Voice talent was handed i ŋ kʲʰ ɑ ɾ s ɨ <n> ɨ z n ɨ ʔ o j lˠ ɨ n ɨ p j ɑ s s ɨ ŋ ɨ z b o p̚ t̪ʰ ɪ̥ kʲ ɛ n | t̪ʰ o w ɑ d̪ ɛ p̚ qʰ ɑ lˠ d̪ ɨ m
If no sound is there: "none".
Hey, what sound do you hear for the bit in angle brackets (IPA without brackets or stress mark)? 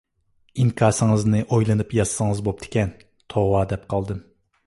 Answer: ŋ